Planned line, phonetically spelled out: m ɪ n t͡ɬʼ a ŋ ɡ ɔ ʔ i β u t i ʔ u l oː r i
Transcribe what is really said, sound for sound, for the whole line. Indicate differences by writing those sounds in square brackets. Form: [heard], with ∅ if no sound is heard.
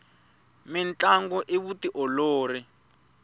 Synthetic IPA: m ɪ n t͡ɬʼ a ŋ ɡ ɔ ʔ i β u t i ʔ [ɔ] l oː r i